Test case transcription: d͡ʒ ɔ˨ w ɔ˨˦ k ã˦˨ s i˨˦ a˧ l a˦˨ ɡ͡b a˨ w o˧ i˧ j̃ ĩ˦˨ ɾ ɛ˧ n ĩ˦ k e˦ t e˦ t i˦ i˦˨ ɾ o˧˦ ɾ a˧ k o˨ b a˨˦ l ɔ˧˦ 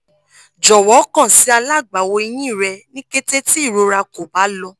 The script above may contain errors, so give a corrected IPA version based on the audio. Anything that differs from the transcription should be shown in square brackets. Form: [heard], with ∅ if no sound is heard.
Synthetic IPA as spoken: d͡ʒ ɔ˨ w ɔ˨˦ k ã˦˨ s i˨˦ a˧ l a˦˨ ɡ͡b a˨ w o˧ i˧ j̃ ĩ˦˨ ɾ ɛ˧ n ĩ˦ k e˦ t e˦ t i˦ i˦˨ ɾ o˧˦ ɾ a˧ k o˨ b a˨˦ l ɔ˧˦